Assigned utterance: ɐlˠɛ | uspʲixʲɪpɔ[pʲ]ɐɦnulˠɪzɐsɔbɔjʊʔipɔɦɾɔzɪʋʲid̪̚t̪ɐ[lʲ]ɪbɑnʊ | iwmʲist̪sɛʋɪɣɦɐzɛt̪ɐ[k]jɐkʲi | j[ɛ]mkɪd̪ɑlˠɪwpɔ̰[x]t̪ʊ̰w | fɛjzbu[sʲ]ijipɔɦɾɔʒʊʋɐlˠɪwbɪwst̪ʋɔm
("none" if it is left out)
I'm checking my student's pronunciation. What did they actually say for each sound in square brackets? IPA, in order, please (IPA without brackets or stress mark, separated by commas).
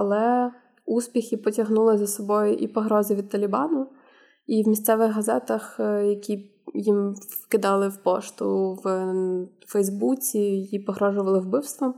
tʲ, lʲ, x, i, ʃ, t͡sʲ